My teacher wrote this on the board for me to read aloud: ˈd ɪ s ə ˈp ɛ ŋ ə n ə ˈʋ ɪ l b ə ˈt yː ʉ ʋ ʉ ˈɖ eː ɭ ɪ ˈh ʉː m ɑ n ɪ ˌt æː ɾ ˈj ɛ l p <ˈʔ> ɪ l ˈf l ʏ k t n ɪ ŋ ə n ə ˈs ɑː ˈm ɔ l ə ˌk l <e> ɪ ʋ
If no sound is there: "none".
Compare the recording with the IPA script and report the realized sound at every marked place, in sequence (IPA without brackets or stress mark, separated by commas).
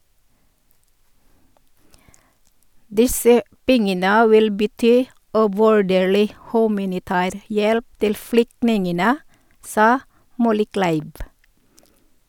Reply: t, æ